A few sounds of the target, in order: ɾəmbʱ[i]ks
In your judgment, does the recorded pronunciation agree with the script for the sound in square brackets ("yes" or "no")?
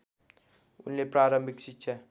yes